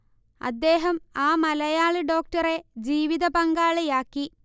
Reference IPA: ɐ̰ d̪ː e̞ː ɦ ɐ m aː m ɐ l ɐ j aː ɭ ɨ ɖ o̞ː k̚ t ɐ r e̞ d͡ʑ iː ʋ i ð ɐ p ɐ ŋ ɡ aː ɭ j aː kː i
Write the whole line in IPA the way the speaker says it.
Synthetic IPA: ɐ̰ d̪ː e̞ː ɦ ɐ m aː m ɐ l ɐ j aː ɭ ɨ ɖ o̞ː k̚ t ɐ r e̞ d͡ʑ iː ʋ i ð ɐ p ɐ ŋ ɡ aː ɭ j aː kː i